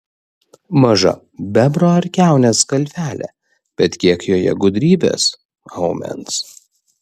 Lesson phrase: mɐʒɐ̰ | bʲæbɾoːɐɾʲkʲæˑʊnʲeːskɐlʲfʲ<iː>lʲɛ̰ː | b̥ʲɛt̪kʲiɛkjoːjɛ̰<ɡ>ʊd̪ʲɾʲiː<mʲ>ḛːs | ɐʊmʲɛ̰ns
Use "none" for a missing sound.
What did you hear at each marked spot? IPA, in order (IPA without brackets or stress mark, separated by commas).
æː, ɡ, bʲ